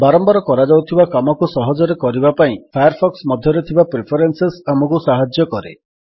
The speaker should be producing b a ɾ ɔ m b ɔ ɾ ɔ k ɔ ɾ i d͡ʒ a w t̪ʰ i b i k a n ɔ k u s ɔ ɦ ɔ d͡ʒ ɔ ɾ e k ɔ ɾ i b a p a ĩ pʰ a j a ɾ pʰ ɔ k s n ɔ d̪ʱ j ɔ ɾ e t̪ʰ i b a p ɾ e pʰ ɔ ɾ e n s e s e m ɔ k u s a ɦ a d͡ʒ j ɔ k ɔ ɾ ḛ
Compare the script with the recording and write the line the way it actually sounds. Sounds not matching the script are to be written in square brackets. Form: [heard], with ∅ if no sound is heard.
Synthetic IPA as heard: b a ɾ ɔ m b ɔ ɾ ɔ k ɔ ɾ [a] d͡ʒ a w t̪ʰ i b [a] k a [m] ɔ k u s ɔ ɦ ɔ d͡ʒ ɔ ɾ e k ɔ ɾ i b a p a ĩ pʰ a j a ɾ pʰ ɔ k s [m] ɔ d̪ʱ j ɔ ɾ e t̪ʰ i b a p ɾ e pʰ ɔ ɾ e n s e s [a] m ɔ k u s a ɦ a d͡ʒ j ɔ k ɔ ɾ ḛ